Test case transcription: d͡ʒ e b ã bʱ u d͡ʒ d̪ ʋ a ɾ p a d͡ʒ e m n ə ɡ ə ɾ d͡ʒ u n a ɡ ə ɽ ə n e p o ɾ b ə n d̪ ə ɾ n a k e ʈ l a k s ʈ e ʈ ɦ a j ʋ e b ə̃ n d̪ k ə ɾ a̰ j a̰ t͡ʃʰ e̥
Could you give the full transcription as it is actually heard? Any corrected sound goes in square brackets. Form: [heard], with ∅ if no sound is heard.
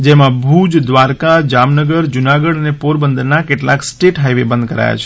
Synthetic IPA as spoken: d͡ʒ e [m] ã bʱ u d͡ʒ d̪ ʋ a ɾ [k] a d͡ʒ [a] m n ə ɡ ə ɾ d͡ʒ u n a ɡ ə ɽ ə n e p o ɾ b ə n d̪ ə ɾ n a k e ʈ l a k s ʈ e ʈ ɦ a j ʋ e b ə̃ n d̪ k ə ɾ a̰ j a̰ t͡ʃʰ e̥